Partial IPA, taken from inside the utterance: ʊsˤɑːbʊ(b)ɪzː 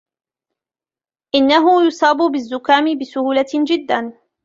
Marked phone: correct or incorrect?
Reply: correct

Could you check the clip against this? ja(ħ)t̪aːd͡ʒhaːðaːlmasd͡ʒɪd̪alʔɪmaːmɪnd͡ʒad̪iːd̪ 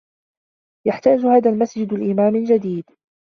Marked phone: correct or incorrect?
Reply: correct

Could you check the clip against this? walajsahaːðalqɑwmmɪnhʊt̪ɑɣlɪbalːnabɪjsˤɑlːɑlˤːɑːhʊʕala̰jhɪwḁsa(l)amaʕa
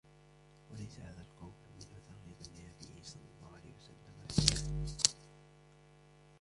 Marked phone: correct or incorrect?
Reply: incorrect: lː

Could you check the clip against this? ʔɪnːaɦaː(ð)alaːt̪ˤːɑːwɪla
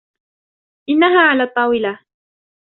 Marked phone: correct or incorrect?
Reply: incorrect: ʕ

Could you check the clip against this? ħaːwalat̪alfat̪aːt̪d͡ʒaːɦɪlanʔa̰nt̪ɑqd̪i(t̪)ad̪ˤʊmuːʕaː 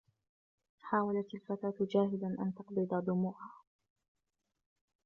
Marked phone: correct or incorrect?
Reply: incorrect: d̪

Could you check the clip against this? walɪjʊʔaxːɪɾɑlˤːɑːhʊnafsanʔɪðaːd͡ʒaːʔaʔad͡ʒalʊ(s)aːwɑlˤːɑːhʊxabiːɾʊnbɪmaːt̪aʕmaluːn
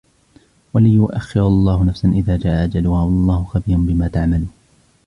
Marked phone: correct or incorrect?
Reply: incorrect: h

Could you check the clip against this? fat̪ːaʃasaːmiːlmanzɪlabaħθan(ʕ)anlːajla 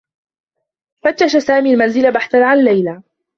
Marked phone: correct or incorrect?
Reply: correct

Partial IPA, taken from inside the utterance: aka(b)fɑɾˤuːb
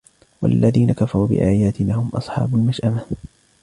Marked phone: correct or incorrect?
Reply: incorrect: none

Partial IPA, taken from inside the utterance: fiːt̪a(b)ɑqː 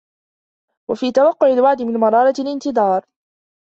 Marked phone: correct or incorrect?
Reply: incorrect: w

